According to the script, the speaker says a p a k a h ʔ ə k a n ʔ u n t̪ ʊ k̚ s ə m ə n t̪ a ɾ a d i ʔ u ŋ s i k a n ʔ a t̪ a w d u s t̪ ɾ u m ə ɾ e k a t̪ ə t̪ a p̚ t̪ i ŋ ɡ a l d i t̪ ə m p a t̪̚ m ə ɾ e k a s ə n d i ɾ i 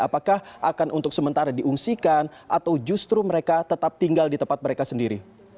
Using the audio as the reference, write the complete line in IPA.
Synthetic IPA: a p a k a h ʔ a k a n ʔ u n t̪ ʊ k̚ s ə m ə n t̪ a ɾ a d i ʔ u ŋ s i k a n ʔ a t̪ a w d͡ʒ u s t̪ ɾ u m ə ɾ e k a t̪ ə t̪ a p̚ t̪ i ŋ ɡ a l d i t̪ ə m p a t̪̚ m ə ɾ e k a s ə n d i ɾ i